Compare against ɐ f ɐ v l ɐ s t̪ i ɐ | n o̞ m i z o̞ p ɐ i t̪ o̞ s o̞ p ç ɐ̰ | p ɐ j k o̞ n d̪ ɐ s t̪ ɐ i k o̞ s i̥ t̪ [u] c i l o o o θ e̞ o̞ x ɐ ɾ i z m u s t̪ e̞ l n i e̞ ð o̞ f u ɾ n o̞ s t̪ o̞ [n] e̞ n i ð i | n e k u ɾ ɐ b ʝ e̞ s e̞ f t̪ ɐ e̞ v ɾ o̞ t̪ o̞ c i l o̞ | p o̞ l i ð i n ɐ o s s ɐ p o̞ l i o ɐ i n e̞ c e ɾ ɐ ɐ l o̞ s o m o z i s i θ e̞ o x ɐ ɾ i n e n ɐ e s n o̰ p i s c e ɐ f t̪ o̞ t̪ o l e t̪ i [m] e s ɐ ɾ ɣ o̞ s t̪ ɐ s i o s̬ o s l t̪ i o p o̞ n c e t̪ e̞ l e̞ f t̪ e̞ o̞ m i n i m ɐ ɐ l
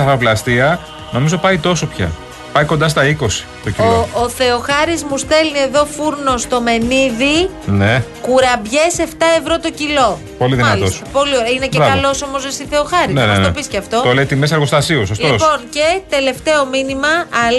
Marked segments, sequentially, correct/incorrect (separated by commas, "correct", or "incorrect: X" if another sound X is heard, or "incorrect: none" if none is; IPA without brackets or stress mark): incorrect: o, incorrect: m, correct